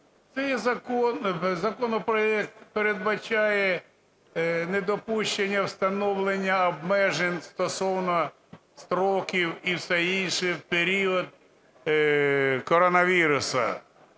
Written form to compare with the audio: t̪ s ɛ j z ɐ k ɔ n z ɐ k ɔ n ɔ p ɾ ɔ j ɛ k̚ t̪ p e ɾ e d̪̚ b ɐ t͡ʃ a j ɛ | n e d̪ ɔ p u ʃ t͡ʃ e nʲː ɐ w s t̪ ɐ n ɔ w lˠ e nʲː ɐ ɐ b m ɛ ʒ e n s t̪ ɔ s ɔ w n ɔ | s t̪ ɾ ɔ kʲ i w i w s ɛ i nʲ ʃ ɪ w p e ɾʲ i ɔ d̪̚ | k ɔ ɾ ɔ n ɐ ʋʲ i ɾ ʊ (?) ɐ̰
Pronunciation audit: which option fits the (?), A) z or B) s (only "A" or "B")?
B